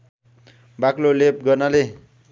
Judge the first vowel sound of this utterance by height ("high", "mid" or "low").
low